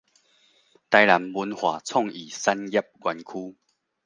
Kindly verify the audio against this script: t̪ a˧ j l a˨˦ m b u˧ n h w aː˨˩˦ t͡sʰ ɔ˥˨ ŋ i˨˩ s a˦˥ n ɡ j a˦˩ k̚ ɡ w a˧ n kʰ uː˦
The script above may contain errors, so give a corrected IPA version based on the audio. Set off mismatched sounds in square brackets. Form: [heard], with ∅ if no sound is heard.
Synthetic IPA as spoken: t̪ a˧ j l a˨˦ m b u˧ n h w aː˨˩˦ t͡sʰ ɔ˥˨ ŋ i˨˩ s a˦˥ n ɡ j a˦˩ [p̚] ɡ w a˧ n kʰ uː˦